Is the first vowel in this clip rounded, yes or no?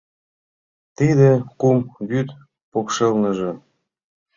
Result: no